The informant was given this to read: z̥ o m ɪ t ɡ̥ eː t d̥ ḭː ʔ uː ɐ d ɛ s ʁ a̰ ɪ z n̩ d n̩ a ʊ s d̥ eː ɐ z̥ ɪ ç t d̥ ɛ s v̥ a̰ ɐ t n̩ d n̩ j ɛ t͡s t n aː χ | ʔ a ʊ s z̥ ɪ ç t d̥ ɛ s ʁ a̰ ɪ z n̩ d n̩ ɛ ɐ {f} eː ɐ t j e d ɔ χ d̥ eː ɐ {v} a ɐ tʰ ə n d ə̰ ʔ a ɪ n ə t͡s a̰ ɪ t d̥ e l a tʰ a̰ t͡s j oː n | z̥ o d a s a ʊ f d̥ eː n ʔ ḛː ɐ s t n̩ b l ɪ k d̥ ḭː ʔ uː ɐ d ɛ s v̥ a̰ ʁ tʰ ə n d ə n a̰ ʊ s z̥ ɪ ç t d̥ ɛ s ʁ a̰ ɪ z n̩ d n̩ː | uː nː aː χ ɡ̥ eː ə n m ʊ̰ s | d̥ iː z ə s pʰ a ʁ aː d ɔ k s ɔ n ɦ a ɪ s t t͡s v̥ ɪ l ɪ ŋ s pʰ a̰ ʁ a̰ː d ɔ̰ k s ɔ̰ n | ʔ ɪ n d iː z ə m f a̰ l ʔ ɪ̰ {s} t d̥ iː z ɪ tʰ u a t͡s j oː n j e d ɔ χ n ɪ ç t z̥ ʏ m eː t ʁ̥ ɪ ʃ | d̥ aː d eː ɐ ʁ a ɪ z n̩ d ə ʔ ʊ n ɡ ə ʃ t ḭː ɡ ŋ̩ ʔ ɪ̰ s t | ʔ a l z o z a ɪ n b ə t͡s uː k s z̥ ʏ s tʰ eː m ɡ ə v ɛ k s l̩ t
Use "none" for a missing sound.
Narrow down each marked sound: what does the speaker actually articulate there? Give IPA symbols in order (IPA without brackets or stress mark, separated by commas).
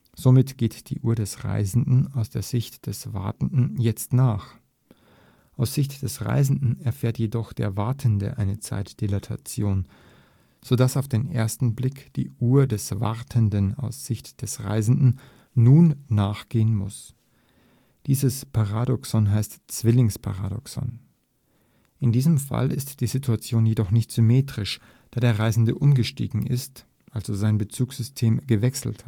f, v, s